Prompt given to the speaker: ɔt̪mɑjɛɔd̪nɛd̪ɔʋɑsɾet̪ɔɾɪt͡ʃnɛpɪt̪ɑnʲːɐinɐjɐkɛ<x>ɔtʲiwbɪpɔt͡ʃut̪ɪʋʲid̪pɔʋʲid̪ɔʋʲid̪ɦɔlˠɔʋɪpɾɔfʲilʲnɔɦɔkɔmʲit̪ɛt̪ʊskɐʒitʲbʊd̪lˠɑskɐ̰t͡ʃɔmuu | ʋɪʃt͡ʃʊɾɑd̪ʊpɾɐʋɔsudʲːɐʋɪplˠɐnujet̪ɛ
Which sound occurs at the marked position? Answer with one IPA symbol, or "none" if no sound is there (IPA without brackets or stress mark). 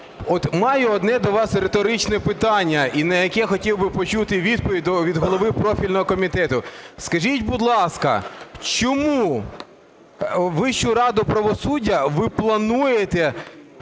x